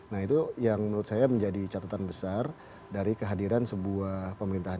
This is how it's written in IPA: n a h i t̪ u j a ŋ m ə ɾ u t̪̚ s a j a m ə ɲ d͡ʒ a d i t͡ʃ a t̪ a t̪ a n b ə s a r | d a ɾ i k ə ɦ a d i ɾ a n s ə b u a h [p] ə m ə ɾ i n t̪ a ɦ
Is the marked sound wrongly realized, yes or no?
no